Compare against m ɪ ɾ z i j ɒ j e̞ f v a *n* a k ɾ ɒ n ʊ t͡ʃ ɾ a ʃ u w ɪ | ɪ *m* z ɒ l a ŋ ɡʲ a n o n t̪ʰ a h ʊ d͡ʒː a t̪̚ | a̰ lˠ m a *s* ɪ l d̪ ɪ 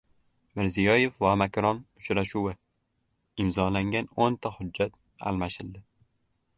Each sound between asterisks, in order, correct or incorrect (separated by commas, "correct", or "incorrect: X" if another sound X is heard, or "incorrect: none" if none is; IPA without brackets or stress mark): incorrect: m, correct, incorrect: ʃ